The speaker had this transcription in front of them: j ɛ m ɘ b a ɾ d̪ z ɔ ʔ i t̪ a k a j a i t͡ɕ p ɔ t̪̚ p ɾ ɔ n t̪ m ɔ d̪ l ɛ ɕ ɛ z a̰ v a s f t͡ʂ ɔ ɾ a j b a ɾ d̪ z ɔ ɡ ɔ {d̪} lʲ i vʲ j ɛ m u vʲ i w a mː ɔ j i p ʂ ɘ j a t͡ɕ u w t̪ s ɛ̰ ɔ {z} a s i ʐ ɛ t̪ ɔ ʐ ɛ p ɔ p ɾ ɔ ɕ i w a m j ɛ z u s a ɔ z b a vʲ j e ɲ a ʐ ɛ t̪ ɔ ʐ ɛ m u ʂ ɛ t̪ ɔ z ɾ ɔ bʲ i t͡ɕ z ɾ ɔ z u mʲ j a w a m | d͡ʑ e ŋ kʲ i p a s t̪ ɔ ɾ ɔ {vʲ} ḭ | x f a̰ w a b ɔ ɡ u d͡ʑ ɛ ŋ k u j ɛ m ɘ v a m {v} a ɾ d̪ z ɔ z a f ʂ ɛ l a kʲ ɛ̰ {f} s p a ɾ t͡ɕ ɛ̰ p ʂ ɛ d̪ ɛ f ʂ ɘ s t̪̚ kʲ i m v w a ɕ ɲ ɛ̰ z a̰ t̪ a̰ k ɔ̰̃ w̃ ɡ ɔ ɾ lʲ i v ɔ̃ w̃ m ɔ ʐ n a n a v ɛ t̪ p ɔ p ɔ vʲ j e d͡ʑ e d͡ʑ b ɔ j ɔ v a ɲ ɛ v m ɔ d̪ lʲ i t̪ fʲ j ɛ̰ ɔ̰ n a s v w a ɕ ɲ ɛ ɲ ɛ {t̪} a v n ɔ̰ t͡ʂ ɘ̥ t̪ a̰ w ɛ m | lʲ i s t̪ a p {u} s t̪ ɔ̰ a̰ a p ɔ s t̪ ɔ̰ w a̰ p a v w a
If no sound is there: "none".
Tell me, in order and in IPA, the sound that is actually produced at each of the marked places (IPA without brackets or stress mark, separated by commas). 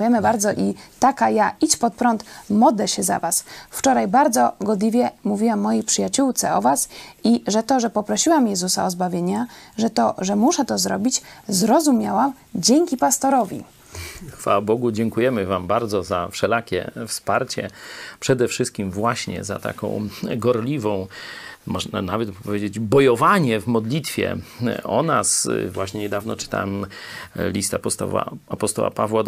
d̪, v, vʲ, b, f, d̪, ɔ